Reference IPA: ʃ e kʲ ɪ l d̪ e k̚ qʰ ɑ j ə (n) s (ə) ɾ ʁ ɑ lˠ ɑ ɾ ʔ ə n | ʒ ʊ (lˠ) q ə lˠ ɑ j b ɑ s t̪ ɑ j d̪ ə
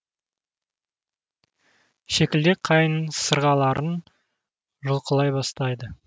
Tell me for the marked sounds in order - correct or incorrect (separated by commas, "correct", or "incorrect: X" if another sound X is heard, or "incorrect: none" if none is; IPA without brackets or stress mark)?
correct, correct, correct